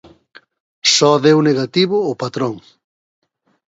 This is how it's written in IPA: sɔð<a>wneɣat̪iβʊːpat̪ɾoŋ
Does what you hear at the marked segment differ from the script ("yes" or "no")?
yes